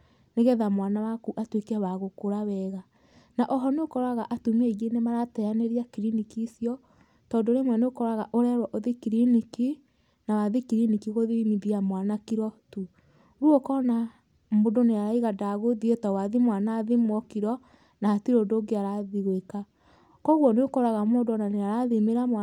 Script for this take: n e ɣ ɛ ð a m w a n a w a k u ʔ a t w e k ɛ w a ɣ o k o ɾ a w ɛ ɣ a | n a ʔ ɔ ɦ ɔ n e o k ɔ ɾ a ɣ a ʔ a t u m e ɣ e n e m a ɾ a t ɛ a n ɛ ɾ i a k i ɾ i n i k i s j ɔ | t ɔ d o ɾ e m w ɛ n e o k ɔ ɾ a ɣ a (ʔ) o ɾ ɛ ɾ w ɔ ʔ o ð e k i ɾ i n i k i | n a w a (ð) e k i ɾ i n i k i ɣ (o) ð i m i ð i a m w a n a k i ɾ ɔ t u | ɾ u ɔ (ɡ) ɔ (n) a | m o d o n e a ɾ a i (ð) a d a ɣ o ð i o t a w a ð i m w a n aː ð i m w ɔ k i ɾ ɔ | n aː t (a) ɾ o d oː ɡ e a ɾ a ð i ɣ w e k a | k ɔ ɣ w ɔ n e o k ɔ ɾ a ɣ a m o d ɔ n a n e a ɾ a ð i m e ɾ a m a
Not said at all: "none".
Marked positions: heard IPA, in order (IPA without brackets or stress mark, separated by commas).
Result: ʔ, ð, o, k, n, ɣ, i